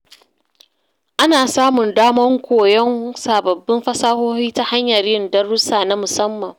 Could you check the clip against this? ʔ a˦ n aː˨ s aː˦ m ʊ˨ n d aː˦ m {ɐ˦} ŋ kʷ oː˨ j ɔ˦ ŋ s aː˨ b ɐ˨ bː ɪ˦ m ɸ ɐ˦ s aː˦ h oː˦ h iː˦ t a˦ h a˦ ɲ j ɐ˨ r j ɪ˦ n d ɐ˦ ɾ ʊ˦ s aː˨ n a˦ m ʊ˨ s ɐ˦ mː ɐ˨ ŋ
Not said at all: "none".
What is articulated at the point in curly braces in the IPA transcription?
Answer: ɐ˦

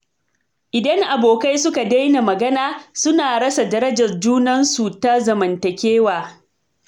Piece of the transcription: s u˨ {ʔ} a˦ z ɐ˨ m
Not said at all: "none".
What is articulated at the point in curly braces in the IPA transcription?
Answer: t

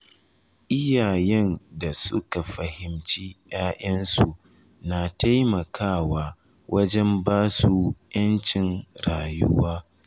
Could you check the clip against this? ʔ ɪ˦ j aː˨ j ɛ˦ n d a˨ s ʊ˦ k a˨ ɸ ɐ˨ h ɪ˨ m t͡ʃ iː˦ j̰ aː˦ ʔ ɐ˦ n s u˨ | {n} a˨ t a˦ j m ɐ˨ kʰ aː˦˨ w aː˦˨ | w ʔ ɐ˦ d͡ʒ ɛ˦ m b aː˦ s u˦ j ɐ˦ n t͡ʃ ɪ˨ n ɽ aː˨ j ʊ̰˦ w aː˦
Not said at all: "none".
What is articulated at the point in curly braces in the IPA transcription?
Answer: n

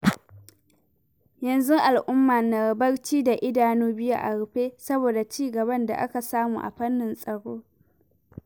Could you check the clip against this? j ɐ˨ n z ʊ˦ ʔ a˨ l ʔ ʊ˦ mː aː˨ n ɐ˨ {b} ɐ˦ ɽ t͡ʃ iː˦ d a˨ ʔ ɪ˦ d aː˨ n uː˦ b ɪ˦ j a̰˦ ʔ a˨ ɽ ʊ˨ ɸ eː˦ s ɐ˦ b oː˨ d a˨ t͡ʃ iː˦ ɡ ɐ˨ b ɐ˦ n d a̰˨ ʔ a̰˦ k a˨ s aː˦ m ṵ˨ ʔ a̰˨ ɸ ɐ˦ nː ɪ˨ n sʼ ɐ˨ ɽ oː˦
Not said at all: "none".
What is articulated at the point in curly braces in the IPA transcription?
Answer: b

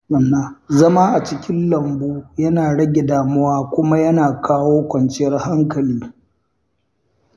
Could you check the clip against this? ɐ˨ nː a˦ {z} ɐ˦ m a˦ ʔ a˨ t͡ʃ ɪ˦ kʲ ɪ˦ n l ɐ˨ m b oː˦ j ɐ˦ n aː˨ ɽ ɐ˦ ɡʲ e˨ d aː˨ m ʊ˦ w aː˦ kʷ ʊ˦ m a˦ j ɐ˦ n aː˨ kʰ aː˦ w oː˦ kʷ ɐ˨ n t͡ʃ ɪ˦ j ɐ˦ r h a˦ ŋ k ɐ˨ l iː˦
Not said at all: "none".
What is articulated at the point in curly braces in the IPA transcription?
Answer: z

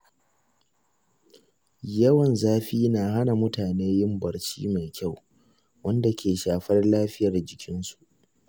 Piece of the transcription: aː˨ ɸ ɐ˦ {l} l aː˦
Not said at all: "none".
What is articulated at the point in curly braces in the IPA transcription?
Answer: r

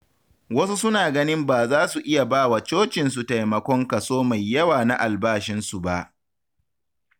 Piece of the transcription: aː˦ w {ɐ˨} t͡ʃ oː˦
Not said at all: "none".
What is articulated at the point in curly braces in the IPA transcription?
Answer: a˨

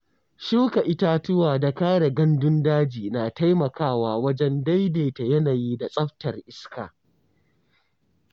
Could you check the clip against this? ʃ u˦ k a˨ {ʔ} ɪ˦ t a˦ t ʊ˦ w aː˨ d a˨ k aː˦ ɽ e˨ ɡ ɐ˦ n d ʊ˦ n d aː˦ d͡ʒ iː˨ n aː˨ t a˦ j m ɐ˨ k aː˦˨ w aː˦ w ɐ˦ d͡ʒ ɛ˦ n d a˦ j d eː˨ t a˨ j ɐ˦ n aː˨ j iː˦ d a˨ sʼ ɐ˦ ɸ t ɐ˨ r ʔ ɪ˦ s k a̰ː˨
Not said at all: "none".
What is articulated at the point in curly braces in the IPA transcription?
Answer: ʔ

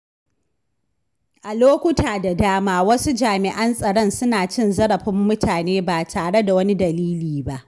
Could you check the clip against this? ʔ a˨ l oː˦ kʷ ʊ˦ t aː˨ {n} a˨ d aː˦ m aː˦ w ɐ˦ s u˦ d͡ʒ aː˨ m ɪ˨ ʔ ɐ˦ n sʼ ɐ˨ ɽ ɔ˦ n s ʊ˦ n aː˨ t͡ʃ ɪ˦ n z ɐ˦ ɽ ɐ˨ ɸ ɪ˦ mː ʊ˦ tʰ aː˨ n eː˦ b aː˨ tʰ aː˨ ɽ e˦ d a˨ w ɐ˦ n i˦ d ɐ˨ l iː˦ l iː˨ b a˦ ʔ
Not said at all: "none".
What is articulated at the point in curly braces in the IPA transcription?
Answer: d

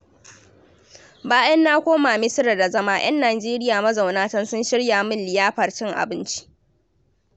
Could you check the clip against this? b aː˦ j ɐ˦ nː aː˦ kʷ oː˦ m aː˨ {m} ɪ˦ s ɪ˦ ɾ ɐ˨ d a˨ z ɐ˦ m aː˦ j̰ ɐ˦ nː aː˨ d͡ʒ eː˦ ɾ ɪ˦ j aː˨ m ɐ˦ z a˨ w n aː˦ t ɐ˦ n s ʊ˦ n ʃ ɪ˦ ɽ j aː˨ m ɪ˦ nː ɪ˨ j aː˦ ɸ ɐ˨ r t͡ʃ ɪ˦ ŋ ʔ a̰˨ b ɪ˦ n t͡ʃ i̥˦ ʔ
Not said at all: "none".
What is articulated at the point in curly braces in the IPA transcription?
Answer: m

